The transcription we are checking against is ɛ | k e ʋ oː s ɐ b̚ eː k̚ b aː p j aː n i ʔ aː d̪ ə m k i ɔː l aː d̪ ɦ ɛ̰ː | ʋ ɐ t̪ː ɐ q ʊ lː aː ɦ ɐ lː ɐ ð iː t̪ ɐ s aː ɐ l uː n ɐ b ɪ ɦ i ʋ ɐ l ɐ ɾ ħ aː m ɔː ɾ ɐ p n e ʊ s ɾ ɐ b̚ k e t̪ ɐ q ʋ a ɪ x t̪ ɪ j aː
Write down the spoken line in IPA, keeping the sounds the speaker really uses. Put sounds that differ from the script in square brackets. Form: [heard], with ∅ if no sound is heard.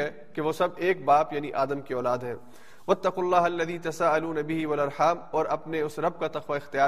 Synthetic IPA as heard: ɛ | k e ʋ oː s ɐ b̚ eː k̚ b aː p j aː n i ʔ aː d̪ ə m k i ɔː l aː d̪ ɦ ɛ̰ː | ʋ ɐ t̪ː ɐ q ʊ lː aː ɦ ɐ lː ɐ ð iː t̪ ɐ s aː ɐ l uː n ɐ b ɪ ɦ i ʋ ɐ l ɐ ɾ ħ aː m ɔː ɾ ɐ p n e ʊ s ɾ ɐ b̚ k [a] t̪ ɐ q ʋ a ɪ x t̪ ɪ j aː